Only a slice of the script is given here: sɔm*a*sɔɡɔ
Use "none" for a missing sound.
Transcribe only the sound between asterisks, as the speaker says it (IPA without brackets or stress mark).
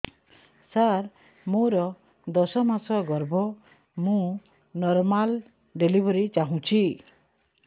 a